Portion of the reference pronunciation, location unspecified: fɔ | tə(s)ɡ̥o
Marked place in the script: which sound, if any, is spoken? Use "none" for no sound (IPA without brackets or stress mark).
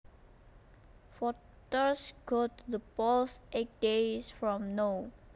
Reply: s